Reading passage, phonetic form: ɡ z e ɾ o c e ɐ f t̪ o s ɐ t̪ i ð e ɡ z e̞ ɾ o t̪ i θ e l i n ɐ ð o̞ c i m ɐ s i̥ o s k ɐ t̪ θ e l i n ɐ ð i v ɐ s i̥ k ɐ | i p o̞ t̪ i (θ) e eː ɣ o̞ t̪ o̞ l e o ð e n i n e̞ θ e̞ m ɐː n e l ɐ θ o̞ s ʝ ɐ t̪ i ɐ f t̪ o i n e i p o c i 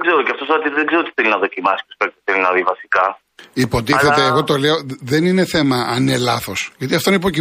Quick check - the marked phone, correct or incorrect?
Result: correct